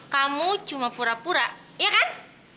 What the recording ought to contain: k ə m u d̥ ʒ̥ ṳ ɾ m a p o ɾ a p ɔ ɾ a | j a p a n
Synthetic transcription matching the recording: k a m u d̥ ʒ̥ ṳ m a p u ɾ a p u ɾ a | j a k a n